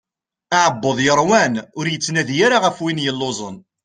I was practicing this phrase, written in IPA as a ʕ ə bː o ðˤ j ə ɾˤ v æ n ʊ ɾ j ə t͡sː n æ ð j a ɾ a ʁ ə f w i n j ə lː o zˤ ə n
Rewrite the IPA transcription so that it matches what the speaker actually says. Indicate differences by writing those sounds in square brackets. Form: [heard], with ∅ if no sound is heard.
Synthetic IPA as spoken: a ʕ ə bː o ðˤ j ə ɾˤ [w] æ n ʊ ɾ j ə t͡sː n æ ð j a ɾ a ʁ ə f w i n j ə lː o zˤ ə n